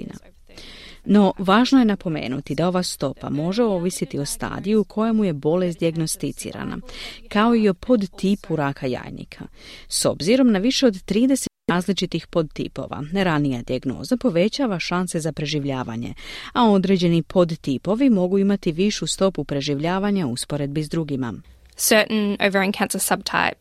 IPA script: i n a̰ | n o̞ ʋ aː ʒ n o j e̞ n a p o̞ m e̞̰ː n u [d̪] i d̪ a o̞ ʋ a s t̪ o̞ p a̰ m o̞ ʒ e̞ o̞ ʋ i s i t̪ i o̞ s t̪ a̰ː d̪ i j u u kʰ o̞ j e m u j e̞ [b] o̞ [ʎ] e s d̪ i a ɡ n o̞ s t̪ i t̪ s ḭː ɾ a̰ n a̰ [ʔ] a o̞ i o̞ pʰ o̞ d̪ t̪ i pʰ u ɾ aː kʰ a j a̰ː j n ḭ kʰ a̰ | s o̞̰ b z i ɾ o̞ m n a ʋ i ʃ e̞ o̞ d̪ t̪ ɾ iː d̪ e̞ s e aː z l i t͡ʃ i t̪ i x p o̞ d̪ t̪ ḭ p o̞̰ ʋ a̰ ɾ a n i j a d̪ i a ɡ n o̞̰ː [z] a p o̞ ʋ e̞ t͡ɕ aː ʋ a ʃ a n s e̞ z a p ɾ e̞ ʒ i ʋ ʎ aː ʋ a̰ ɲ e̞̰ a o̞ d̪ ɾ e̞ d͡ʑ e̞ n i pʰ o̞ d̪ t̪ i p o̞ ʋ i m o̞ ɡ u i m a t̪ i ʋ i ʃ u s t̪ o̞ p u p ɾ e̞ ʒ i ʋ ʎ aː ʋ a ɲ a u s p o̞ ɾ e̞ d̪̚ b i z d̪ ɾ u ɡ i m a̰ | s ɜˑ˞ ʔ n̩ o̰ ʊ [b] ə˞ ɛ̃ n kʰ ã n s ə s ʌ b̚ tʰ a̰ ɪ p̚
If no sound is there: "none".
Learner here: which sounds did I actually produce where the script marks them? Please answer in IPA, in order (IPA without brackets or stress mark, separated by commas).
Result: t̪, b, l, k, z, v